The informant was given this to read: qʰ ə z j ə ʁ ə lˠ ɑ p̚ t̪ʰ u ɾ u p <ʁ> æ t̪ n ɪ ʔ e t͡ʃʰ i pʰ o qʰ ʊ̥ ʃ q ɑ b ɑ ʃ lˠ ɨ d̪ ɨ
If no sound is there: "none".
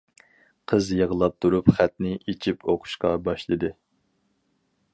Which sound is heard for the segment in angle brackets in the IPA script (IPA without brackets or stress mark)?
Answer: χ